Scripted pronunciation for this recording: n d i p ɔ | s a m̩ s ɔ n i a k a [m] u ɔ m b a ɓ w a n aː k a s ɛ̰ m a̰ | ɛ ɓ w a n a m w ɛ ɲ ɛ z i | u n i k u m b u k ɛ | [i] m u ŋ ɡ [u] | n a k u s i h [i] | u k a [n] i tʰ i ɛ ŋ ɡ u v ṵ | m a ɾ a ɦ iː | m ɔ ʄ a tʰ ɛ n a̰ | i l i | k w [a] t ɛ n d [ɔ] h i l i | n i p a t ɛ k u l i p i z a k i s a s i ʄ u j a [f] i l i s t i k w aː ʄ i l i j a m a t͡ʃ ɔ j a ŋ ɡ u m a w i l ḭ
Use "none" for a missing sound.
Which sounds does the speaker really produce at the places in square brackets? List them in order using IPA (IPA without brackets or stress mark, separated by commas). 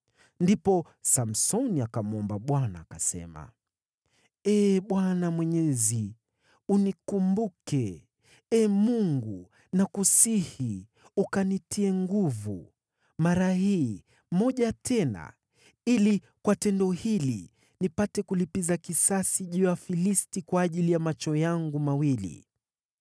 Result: m, ɛ, u, i, n, a, ɔ, f